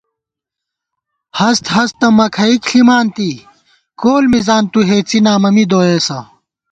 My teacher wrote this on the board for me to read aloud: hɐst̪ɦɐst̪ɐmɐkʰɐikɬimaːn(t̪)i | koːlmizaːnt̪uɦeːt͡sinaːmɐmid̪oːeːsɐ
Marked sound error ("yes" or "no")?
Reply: no